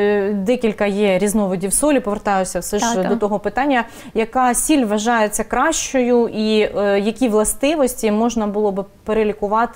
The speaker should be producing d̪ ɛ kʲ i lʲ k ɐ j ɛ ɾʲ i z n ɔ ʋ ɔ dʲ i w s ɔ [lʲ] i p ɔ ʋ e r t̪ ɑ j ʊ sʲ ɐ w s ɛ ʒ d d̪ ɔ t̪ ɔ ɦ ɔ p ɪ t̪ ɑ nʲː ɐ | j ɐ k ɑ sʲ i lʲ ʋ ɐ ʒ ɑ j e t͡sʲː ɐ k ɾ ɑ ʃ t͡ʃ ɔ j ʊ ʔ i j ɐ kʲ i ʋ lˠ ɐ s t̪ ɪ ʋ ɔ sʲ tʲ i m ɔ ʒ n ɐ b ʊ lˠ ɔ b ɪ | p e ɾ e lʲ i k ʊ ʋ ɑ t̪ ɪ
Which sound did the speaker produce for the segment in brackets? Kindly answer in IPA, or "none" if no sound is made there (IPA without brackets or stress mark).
lʲ